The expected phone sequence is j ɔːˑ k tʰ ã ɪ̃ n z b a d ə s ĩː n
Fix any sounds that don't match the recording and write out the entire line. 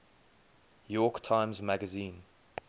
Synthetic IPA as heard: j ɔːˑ k tʰ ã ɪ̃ m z m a ɡ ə z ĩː n